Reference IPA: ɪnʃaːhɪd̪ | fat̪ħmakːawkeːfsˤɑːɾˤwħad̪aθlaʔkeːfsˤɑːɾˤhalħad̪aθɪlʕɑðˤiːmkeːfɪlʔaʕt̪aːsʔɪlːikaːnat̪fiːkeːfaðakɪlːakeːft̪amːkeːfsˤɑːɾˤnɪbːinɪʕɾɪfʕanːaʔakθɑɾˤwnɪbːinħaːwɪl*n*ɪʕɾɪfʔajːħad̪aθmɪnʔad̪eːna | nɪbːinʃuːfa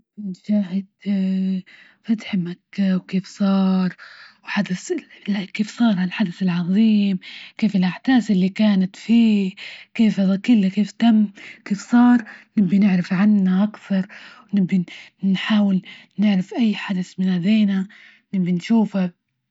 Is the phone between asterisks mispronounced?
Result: no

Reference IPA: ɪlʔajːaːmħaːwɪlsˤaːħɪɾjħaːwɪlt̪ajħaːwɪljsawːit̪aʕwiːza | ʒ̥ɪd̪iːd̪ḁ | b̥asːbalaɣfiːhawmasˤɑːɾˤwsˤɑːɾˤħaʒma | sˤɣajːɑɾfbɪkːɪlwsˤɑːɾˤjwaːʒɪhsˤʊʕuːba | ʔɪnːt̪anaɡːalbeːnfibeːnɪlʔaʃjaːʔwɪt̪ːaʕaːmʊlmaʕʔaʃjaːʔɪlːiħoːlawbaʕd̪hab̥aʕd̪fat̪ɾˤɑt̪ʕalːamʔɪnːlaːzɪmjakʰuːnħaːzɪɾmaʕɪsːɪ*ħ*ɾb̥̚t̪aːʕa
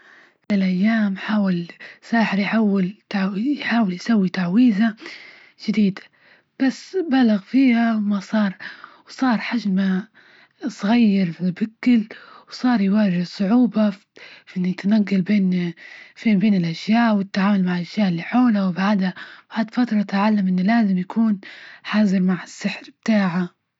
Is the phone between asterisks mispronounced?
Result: no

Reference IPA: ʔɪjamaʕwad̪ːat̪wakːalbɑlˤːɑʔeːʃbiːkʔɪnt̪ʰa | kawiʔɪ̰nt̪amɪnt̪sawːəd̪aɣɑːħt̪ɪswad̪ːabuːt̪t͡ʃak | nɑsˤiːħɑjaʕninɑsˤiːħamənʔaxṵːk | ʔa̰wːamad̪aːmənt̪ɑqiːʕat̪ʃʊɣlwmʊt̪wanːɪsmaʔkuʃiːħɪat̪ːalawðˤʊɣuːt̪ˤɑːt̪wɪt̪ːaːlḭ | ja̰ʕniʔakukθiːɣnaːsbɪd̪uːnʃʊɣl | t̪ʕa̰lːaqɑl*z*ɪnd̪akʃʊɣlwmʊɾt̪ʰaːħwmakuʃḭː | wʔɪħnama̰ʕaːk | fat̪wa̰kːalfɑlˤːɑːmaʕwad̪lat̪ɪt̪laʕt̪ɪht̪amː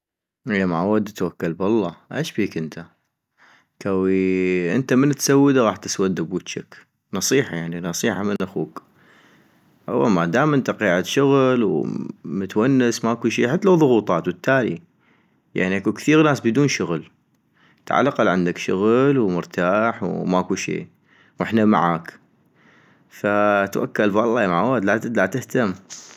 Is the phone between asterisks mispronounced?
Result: yes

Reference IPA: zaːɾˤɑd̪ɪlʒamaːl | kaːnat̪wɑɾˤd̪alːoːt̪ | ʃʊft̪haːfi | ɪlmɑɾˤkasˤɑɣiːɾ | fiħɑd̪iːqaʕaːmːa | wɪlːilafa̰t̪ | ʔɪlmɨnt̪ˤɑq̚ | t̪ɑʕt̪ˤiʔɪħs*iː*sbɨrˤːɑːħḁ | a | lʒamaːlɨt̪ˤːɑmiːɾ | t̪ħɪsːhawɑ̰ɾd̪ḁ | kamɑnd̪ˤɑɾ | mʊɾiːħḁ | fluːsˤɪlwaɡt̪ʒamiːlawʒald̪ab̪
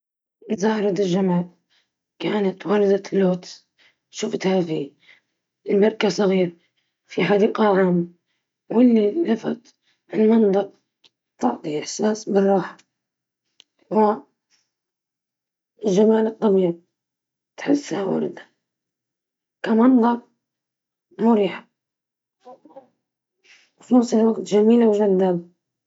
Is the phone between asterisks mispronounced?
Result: yes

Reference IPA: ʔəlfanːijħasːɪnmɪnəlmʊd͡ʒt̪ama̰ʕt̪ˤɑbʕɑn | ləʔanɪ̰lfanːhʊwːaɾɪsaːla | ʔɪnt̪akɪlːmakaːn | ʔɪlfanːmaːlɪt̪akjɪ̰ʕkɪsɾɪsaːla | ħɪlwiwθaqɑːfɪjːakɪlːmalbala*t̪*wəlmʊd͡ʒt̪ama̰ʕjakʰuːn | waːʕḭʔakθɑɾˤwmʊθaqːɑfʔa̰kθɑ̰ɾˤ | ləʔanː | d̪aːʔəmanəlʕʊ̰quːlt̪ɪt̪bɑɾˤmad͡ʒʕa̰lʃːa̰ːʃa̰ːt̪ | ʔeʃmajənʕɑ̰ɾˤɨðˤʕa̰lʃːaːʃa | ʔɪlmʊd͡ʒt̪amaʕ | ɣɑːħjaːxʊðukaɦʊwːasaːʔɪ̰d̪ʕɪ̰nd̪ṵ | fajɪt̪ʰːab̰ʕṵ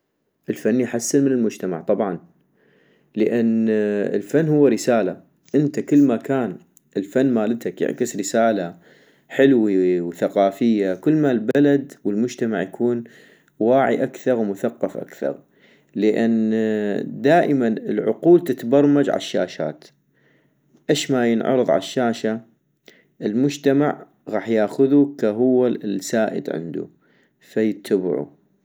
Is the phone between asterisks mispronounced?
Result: yes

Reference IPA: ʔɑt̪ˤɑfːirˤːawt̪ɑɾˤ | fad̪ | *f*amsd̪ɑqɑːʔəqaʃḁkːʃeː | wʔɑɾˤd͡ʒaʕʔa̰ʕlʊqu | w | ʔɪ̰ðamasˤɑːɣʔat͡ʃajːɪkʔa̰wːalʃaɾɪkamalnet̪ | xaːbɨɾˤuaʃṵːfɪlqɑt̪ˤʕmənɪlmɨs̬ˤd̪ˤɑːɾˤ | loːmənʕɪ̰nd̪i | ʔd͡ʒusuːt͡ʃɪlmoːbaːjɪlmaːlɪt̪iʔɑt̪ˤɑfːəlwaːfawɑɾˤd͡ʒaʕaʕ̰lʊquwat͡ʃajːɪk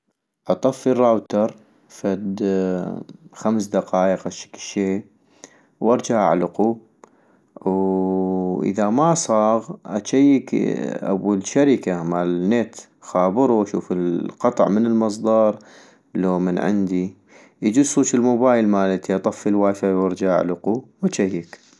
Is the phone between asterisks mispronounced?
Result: yes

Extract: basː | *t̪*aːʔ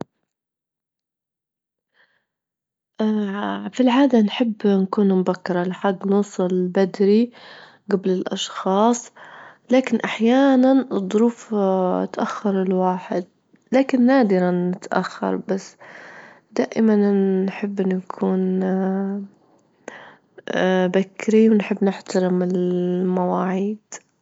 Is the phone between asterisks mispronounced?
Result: yes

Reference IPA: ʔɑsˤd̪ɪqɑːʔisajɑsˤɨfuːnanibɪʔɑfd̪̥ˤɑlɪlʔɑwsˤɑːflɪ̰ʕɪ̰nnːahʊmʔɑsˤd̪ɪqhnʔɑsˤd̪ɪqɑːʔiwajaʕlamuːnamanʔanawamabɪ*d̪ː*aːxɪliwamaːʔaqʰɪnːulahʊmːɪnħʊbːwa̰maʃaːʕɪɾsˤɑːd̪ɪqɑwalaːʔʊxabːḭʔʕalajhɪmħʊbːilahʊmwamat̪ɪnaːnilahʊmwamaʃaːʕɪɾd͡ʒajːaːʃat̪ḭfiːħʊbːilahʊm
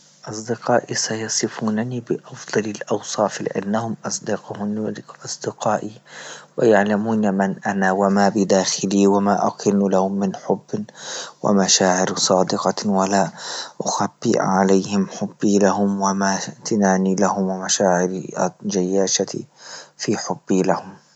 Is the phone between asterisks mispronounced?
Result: yes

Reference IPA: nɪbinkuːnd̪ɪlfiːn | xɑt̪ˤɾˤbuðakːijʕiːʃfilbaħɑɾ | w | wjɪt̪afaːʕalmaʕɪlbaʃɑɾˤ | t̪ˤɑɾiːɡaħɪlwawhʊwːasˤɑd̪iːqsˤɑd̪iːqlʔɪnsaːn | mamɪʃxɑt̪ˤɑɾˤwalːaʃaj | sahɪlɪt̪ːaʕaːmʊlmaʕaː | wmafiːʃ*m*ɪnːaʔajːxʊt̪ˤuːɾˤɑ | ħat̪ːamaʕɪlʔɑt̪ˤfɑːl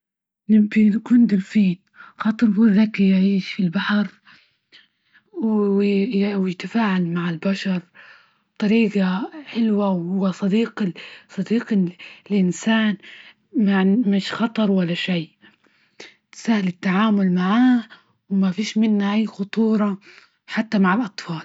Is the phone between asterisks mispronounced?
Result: no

